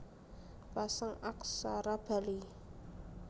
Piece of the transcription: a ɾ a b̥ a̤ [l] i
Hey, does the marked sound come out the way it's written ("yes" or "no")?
yes